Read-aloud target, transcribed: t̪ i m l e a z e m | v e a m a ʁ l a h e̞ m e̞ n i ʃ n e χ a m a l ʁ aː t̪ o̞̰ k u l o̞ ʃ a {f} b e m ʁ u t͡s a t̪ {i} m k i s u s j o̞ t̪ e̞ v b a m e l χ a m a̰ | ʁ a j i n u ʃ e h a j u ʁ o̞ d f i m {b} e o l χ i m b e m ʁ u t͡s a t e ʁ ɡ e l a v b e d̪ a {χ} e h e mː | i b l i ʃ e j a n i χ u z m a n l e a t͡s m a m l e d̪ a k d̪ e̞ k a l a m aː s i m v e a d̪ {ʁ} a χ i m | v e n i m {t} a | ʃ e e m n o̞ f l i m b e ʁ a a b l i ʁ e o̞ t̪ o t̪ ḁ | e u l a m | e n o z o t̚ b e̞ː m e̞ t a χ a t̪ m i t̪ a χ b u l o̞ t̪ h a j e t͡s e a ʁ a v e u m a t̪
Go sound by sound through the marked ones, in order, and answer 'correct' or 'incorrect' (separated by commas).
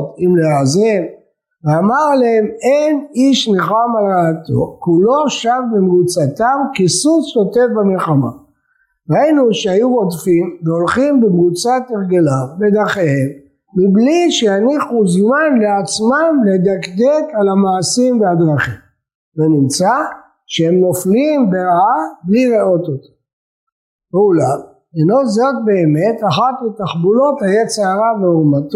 incorrect, incorrect, incorrect, correct, correct, incorrect